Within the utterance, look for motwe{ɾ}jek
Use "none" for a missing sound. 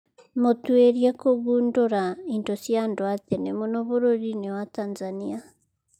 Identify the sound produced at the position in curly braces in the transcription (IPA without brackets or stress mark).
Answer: ɾ